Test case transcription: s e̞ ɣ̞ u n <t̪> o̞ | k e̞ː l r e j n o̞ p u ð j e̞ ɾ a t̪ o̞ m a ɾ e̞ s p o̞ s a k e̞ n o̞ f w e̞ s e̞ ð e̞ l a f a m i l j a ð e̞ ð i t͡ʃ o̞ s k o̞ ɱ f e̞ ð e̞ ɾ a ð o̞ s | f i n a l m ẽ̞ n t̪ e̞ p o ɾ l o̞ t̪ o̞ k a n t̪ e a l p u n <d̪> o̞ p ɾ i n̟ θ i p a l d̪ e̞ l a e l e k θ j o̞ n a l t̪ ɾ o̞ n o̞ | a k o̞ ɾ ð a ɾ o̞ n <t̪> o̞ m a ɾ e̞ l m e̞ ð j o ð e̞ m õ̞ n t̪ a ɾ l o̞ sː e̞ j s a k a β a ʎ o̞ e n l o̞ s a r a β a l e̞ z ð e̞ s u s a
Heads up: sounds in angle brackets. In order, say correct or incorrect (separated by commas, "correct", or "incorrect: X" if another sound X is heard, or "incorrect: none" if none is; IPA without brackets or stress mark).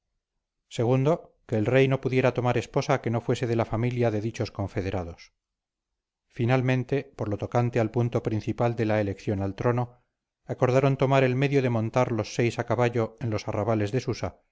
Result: incorrect: d̪, incorrect: t̪, correct